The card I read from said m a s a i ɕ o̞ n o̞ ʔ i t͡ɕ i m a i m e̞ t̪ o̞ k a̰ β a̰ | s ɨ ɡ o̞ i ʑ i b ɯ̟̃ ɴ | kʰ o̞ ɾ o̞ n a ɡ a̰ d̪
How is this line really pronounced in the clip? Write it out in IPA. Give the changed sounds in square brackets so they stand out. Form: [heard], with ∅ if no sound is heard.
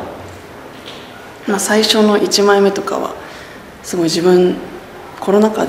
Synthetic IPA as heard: m a s a i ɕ o̞ n o̞ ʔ i t͡ɕ i m a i m e̞ t̪ o̞ k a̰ β a̰ | s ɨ ɡ o̞ i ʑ i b ɯ̟̃ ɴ | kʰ o̞ ɾ o̞ n a [k] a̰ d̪